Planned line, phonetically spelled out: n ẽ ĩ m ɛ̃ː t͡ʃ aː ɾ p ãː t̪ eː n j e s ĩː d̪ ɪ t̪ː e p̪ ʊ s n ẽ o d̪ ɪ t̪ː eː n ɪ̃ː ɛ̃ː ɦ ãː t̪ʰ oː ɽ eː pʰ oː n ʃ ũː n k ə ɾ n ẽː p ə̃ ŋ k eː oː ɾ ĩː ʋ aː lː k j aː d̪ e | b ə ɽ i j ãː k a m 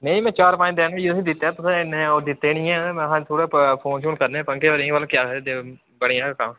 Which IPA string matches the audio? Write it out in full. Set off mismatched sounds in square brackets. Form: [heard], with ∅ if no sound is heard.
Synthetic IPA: n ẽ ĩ m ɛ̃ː t͡ʃ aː ɾ p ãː [d̪] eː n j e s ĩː d̪ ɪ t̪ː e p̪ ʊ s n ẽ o d̪ ɪ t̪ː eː n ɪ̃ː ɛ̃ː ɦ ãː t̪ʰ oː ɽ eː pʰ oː n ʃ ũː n k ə ɾ n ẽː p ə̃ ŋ k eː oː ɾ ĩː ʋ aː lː k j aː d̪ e | b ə ɽ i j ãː k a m